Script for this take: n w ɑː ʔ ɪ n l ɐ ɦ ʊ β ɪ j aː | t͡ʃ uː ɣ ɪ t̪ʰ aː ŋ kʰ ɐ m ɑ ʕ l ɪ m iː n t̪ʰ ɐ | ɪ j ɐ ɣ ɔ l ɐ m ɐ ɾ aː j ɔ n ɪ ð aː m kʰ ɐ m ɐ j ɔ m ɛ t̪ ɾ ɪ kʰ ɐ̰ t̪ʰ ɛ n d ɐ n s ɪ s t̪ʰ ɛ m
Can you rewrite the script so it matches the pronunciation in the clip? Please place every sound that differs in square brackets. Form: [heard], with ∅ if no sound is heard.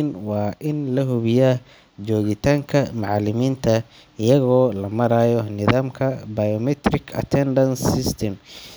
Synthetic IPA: n w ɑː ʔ ɪ n l ɐ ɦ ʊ β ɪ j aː | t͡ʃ [ɔː] ɣ ɪ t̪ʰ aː ŋ kʰ ɐ m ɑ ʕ l ɪ m iː n t̪ʰ ɐ | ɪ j ɐ ɣ [ɔː] l ɐ m ɐ ɾ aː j ɔ n ɪ ð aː m kʰ ɐ [b] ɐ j ɔ m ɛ t̪ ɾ ɪ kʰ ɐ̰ t̪ʰ ɛ n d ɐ n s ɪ s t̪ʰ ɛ m